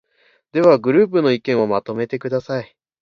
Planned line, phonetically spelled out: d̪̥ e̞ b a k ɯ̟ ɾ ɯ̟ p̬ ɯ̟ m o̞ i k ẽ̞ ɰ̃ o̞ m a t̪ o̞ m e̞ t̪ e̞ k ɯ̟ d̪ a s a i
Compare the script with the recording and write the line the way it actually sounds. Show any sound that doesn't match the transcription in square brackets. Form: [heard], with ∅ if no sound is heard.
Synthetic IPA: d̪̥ e̞ [β] a [ɡ] ɯ̟ ɾ [ɯ̟ː] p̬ ɯ̟ [n] o̞ i k ẽ̞ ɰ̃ o̞ m a t̪ o̞ m e̞ t̪ e̞ k ɯ̟ d̪ a s a i